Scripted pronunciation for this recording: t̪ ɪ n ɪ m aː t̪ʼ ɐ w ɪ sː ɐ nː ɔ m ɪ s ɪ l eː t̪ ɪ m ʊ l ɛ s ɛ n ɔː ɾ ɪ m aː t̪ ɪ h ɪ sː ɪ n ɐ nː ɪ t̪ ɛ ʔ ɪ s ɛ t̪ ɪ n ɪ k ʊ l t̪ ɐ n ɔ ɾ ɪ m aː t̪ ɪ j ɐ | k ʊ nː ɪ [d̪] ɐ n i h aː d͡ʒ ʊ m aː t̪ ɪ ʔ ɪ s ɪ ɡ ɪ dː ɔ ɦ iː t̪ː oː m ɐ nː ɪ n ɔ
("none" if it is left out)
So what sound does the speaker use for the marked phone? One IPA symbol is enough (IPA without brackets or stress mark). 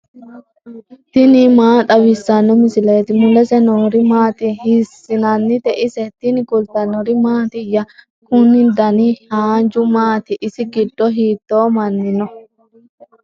d̪